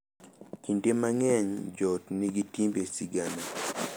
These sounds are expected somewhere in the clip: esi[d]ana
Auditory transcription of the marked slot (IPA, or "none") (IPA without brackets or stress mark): ɡ